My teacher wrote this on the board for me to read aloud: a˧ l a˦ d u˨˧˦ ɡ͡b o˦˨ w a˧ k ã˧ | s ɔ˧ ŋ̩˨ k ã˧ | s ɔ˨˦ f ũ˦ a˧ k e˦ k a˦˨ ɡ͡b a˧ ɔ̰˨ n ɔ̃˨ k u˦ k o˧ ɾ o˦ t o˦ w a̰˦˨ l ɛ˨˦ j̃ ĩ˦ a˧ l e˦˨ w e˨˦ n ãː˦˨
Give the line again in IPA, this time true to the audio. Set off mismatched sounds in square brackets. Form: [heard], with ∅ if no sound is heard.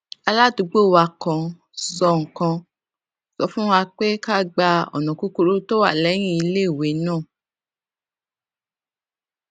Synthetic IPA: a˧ l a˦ d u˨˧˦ ɡ͡b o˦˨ w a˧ k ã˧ | s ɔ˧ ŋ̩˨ k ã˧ | s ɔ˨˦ f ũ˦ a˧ [k͡p] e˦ k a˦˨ ɡ͡b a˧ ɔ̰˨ n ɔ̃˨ k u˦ k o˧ ɾ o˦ t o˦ w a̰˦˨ l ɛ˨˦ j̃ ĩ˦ [i˧] l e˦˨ w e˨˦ n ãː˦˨